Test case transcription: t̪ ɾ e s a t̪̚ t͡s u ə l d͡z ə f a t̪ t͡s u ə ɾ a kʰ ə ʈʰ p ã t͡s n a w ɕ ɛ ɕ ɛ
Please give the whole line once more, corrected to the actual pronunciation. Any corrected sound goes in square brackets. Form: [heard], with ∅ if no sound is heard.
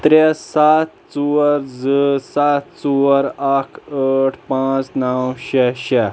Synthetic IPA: t̪ ɾ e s a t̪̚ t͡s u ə [ɾ] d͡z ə [s] a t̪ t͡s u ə ɾ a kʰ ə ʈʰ p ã t͡s n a w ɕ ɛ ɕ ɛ